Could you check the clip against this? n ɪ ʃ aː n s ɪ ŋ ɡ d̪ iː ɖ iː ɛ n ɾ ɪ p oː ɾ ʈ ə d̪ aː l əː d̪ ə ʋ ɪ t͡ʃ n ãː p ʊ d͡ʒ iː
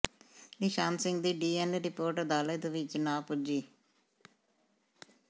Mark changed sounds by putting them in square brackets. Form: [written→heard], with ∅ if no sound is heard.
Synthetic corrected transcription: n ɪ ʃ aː n s ɪ ŋ ɡ d̪ iː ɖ iː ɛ n ɾ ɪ p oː ɾ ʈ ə d̪ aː l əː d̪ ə ʋ ɪ t͡ʃ n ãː p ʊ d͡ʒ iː